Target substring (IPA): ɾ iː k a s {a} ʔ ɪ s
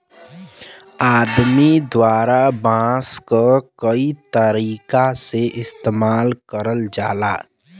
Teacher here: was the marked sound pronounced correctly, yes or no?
no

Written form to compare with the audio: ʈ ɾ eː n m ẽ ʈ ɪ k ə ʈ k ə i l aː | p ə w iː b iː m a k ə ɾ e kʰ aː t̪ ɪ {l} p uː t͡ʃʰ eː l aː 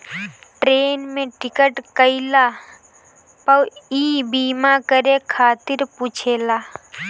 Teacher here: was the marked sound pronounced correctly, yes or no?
no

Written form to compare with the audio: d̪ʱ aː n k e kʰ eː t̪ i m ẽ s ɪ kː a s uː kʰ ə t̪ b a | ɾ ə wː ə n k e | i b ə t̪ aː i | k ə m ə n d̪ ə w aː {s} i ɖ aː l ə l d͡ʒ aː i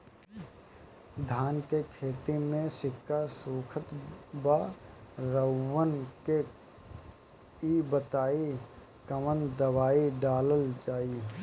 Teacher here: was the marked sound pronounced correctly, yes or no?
no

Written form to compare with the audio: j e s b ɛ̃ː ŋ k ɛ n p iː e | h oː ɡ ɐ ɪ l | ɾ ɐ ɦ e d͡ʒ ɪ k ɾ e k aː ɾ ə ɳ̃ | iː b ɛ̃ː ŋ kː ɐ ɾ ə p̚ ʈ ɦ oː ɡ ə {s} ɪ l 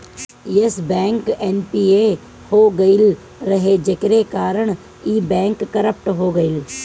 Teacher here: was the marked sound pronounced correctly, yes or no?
no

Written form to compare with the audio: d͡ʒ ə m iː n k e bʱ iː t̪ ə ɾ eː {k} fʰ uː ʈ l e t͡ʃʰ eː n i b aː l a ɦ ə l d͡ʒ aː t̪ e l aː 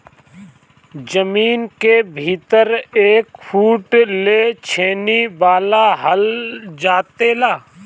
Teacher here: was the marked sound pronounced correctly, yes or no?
yes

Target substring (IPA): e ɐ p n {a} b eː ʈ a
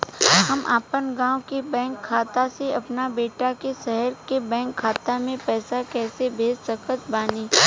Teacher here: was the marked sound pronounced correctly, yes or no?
yes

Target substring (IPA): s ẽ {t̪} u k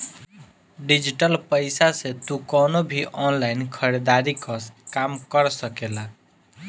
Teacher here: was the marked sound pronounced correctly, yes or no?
yes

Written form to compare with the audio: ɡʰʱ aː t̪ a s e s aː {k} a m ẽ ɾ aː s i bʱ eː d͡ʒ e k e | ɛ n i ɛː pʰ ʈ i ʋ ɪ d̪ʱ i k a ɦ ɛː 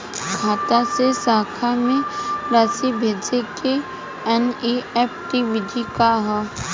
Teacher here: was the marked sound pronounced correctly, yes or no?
no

